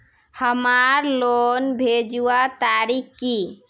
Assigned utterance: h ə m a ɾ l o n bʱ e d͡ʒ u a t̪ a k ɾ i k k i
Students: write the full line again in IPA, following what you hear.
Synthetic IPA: h ə m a ɾ l o n bʱ e d͡ʒ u a t̪ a ɾ i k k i